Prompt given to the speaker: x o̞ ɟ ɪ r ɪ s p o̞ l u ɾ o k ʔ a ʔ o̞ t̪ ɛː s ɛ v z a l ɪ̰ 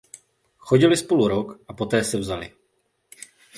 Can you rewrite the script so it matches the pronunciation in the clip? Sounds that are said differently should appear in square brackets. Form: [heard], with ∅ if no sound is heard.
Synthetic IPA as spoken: x o̞ ɟ ɪ [l] ɪ s p o̞ l u ɾ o k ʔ a [p] o̞ t̪ ɛː s ɛ v z a l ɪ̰